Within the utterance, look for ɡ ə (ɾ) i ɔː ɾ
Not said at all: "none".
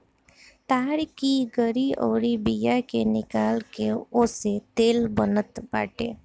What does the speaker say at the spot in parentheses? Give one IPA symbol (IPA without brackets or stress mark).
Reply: ɾ